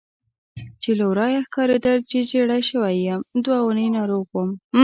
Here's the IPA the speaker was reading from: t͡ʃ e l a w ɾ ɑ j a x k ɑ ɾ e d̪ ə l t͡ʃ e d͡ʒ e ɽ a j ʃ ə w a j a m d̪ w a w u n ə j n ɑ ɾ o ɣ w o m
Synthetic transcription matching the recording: t͡ʃ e l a w ɾ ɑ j a x k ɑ ɾ e d̪ ə l t͡ʃ e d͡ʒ e ɽ a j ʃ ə w a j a m d̪ w a w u n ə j n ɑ ɾ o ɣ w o m